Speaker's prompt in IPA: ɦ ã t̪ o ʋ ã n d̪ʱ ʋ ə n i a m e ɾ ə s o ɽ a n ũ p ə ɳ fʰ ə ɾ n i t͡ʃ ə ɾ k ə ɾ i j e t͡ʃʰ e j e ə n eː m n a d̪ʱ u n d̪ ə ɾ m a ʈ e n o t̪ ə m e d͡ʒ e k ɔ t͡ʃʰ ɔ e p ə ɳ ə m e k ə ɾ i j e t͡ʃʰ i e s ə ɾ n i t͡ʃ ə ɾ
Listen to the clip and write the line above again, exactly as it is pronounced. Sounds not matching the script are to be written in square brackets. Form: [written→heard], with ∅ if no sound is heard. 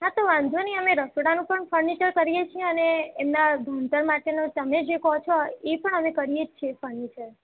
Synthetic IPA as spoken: ɦ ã t̪ o ʋ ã n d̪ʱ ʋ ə n i [a→ə] m e ɾ ə s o ɽ a n ũ p ə ɳ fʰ ə ɾ n i t͡ʃ ə ɾ k ə ɾ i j e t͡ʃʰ [e→i] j e ə n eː m n a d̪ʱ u n [d̪→t̪] ə ɾ m a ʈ e n o t̪ ə m e d͡ʒ e k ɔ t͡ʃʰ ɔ e p ə ɳ ə m e k ə ɾ i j e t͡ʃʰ i e [s→f] ə ɾ n i t͡ʃ ə ɾ